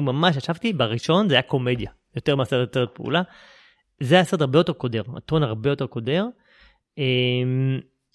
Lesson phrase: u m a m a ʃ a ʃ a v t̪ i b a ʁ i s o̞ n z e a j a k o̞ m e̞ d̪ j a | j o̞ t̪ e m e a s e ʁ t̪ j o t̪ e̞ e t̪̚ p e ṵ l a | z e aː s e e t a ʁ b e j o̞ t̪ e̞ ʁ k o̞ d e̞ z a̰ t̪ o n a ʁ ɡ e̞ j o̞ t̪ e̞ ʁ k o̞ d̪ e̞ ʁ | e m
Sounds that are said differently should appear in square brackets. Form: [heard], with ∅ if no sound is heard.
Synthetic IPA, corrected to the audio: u m a m a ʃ a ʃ a v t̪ i b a ʁ i [ʃ] o̞ n z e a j a k o̞ m e̞ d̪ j a | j o̞ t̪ e m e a s e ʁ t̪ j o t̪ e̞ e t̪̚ p e ṵ l a | z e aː s e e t a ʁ b e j o̞ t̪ e̞ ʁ k o̞ d e̞ [ʁ] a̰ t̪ o n a ʁ [b] e̞ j o̞ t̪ e̞ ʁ k o̞ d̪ e̞ ʁ | e m